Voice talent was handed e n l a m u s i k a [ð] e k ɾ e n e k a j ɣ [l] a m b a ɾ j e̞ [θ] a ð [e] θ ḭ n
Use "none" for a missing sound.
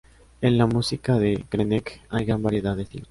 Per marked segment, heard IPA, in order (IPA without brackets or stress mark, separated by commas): ð, ɾ, ð, e